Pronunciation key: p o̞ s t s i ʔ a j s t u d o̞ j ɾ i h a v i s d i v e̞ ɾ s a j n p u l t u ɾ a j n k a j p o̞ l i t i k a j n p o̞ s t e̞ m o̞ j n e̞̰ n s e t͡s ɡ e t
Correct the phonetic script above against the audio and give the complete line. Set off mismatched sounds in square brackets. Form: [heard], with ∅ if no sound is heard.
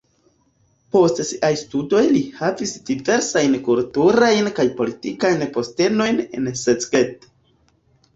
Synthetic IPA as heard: p o̞ s t s i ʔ a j s t u d o̞ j [l] i h a v i s d i v e̞ ɾ s a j n [k] u l t u ɾ a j n k a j p o̞ l i t i k a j n p o̞ s t e̞ [n] o̞ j n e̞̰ n s e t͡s ɡ e t

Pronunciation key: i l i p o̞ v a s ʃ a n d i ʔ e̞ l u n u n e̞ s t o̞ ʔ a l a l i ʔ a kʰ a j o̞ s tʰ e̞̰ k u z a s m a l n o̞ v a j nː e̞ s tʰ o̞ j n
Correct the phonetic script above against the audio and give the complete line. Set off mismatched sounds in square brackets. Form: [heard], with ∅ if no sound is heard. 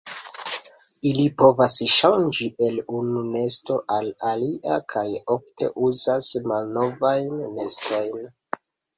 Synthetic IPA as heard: i l i p o̞ v a s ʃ a n [d͡ʒ] i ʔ e̞ l u n u n e̞ s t o̞ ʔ a l a l i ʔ a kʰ a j o̞ [f] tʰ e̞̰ [ʔ] u z a s m a l n o̞ v a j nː e̞ s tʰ o̞ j n

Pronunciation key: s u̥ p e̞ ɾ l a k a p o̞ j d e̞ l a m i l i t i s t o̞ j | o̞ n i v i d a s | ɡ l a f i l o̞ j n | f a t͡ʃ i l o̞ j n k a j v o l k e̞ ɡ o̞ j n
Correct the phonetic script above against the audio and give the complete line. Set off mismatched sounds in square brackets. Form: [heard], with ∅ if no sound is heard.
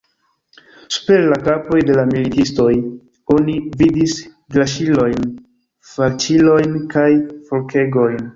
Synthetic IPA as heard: s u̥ p e̞ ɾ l a k a p o̞ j d e̞ l a m i l i t i s t o̞ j | o̞ n i v i d [i] s | ɡ l a [ʃ] i l o̞ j n | f a t͡ʃ i l o̞ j n k a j [f] o l k e̞ ɡ o̞ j n

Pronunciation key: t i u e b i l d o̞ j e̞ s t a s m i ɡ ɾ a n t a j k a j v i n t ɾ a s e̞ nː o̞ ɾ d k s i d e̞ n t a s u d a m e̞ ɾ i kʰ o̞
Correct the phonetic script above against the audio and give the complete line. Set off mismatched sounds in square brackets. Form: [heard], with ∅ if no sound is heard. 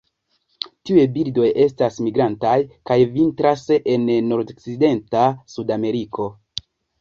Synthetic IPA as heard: t i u e b i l d o̞ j e̞ s t a s m i ɡ ɾ a n t a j k a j v i n t ɾ a s e̞ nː o̞ ɾ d k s i d e̞ n t a s u d a m e̞ ɾ i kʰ o̞

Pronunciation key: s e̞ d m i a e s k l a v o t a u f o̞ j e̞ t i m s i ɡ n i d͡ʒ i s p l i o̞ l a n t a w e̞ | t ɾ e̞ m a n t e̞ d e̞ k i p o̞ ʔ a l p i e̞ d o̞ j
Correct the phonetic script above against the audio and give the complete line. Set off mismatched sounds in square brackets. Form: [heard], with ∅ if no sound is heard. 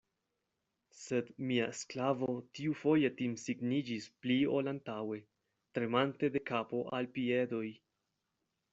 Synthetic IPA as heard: s e̞ d m i a e s k l a v o t [i] u f o̞ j e̞ t i m s i ɡ n i d͡ʒ i s p l i o̞ l a n t a w e̞ | t ɾ e̞ m a n t e̞ d e̞ k [a] p o̞ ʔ a l p i e̞ d o̞ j

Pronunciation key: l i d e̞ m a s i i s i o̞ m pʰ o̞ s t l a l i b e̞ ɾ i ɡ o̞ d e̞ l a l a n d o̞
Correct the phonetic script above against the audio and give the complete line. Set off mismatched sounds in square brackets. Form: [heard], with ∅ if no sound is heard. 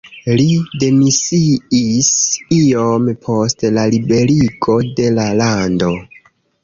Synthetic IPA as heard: l i d e̞ m [i] s i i s i o̞ m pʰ o̞ s t l a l i b e̞ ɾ i ɡ o̞ d e̞ l a l a n d o̞

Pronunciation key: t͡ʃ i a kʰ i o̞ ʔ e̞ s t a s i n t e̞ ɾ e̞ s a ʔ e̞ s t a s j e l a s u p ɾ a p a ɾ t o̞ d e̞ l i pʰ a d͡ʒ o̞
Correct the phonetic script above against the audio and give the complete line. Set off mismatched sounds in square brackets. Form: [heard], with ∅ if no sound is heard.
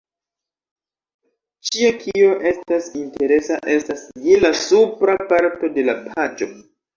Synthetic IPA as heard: t͡ʃ i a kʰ i o̞ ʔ e̞ s t a s i n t e̞ ɾ e̞ s a ʔ e̞ s t a s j e l a s u p ɾ a p a ɾ t o̞ d e̞ l [a] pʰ a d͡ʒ o̞

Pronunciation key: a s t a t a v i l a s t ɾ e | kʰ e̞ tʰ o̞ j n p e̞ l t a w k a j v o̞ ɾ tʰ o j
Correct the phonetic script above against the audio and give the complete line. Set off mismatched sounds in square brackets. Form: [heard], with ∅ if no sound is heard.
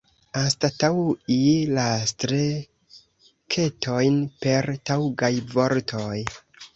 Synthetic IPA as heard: a s t a t a [w] i l a s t ɾ e | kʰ e̞ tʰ o̞ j n p e̞ [ɾ] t a w [ɡ] a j v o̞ ɾ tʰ o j

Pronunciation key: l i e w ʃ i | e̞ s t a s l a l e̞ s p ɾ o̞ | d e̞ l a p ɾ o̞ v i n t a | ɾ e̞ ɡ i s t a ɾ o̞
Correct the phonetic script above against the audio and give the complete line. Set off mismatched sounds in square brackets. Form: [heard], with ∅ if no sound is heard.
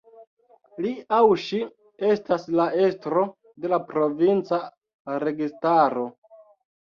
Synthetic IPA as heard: l i [a] w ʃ i | e̞ s t a s l a [∅] e̞ s [t] ɾ o̞ | d e̞ l a p ɾ o̞ v i n [t͡s] a | ɾ e̞ ɡ i s t a ɾ o̞

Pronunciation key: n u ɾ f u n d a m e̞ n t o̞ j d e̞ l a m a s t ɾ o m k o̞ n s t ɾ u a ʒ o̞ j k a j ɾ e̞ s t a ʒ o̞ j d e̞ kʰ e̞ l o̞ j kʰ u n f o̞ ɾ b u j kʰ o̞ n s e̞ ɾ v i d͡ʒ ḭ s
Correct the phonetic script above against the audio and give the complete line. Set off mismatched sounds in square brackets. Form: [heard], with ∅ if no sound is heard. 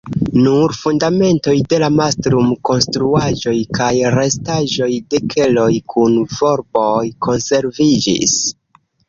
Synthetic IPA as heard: n u ɾ f u n d a m e̞ n t o̞ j d e̞ l a m a s t ɾ [u] m k o̞ n s t ɾ u a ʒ o̞ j k a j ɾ e̞ s t a ʒ o̞ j d e̞ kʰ e̞ l o̞ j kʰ u n [v] o̞ ɾ b [o] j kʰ o̞ n s e̞ ɾ v i d͡ʒ ḭ s

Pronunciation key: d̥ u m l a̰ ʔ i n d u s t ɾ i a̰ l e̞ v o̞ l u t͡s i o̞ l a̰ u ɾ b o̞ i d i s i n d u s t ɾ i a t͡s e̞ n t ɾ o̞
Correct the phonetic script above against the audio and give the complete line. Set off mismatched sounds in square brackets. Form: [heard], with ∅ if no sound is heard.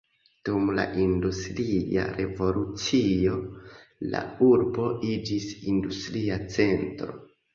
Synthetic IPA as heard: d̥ u m l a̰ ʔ i n d u s t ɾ i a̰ [ɾ] e̞ v o̞ l u t͡s i o̞ l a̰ u ɾ b o̞ i [d͡ʒ] i s i n d u s t ɾ i a t͡s e̞ n t ɾ o̞

